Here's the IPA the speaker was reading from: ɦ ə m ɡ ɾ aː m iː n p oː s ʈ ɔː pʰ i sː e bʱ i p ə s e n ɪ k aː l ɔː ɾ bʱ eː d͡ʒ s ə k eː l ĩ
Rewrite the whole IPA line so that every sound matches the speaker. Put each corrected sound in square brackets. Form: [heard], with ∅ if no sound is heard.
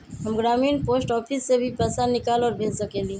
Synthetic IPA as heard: ɦ ə m ɡ ɾ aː m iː n p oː s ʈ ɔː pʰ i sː e bʱ i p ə s [a] n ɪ k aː l ɔː ɾ bʱ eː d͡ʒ s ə k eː l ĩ